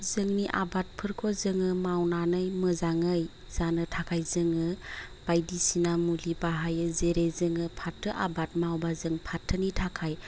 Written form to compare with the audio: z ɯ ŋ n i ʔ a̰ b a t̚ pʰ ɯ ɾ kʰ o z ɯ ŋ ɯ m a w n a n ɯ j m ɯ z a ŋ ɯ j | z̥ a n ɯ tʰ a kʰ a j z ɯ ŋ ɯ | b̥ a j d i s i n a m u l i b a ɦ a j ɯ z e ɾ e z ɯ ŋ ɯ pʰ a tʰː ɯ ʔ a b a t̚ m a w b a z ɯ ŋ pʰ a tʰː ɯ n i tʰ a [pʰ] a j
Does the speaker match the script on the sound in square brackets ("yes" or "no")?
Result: no